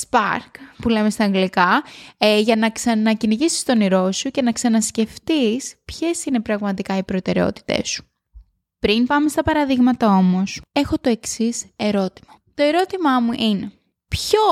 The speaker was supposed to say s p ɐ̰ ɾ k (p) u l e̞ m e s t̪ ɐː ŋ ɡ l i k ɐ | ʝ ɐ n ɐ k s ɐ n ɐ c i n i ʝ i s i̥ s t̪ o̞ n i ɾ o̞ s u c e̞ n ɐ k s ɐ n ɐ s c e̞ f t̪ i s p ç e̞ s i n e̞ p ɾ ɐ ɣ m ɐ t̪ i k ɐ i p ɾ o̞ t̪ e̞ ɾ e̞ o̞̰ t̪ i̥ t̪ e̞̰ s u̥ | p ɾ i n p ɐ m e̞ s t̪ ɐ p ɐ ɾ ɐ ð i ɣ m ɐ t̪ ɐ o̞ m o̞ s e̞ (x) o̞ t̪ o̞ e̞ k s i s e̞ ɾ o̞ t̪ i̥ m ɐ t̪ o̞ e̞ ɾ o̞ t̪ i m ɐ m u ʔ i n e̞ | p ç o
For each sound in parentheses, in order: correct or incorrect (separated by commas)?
correct, correct